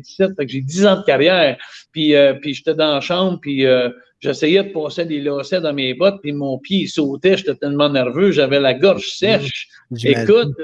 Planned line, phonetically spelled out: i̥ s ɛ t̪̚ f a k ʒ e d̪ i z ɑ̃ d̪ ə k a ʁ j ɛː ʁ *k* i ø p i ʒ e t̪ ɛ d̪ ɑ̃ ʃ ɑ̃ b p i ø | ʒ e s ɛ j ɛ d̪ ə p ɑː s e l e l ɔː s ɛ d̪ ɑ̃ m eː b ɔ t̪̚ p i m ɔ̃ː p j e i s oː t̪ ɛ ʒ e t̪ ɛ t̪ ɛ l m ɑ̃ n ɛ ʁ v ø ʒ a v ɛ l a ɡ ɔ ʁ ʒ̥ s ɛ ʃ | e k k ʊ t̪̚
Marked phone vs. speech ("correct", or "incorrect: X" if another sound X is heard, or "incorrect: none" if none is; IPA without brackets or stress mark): incorrect: p